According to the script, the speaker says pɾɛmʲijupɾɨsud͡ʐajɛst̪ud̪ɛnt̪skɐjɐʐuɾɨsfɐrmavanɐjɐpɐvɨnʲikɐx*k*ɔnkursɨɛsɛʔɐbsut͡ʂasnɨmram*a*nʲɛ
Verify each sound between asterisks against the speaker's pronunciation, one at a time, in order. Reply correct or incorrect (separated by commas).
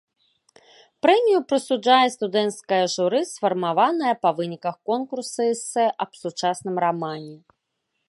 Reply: correct, correct